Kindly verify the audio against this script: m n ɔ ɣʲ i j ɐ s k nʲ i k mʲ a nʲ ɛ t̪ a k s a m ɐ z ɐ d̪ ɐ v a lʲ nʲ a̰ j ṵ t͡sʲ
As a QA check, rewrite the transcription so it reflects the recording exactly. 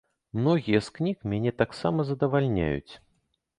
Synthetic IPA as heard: m n ɔ ɣʲ i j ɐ s k nʲ i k mʲ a nʲ ɛ t̪ a k s a m ɐ z ɐ d̪ ɐ v a lʲ nʲ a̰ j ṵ t͡sʲ

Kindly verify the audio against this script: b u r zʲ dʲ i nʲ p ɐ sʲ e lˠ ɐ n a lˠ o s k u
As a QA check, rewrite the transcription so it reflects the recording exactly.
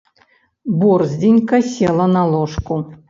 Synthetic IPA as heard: b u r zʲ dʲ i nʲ k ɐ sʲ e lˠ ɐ n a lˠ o ʂ k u

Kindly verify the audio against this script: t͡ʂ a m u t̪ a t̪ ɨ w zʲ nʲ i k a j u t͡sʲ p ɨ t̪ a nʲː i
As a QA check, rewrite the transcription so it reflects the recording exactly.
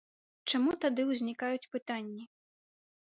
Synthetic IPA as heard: t͡ʂ a m u t̪ a d̪ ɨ w zʲ nʲ i k a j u t͡sʲ p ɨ t̪ a nʲː i

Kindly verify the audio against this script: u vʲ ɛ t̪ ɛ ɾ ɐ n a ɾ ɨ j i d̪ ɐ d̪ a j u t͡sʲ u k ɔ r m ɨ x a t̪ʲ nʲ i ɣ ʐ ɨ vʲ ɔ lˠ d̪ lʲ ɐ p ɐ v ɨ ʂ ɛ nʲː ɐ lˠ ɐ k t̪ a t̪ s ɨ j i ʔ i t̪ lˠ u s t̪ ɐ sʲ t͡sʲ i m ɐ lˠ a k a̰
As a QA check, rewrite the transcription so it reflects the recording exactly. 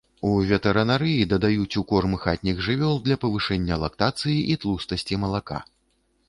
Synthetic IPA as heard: u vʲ ɛ t̪ ɛ ɾ ɐ n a ɾ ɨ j i d̪ ɐ d̪ a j u t͡sʲ u k ɔ r m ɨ x a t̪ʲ nʲ i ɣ ʐ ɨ vʲ ɔ lˠ d̪ lʲ ɐ p ɐ v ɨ ʂ ɛ nʲː ɐ lˠ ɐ k t̪ a t̪ s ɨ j i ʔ i t̪ lˠ u s t̪ ɐ sʲ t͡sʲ i m ɐ lˠ a k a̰

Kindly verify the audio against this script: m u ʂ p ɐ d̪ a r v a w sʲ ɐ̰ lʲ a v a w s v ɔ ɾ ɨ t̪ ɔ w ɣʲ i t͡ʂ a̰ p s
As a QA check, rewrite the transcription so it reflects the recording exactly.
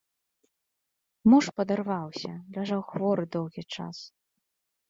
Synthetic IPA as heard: m u ʂ p ɐ d̪ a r v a w sʲ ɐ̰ lʲ a ʐ a w x v ɔ ɾ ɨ d̪ ɔ w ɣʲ i t͡ʂ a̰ s

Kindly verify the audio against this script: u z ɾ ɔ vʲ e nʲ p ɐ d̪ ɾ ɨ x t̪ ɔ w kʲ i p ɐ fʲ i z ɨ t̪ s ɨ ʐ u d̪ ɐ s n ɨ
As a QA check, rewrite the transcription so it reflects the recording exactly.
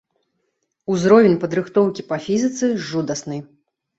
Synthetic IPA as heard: u z ɾ ɔ vʲ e nʲ p ɐ d̪ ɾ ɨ x t̪ ɔ w kʲ i p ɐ fʲ i z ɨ t̪ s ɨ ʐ u d̪ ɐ s n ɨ

